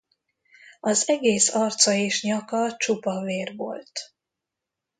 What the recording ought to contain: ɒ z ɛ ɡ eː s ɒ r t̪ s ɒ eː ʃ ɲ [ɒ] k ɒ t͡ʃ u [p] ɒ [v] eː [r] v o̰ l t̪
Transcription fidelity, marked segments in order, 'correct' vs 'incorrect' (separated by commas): correct, correct, correct, correct